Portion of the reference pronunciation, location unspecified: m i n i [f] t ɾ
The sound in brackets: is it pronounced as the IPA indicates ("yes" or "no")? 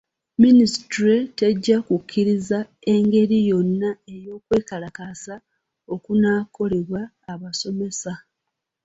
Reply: no